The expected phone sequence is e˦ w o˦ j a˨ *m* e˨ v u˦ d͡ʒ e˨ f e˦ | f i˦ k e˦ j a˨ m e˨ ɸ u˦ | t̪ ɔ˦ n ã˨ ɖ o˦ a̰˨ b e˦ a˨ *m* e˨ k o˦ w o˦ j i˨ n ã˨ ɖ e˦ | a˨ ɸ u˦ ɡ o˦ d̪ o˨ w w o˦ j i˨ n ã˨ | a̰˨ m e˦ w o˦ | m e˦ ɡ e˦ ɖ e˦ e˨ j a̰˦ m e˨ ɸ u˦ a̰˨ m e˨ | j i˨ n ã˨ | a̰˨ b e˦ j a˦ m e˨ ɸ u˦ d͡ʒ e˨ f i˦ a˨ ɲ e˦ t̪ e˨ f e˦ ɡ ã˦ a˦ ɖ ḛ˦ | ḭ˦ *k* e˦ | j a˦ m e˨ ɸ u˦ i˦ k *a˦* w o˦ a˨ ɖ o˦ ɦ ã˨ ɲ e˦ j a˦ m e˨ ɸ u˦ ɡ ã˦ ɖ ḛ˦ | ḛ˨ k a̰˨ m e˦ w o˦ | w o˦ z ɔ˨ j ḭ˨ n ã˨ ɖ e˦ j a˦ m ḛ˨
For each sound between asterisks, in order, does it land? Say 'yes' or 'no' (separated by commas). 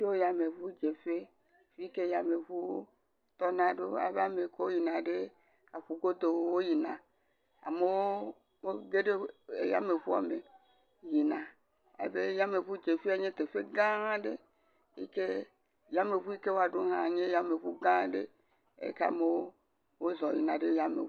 yes, yes, yes, no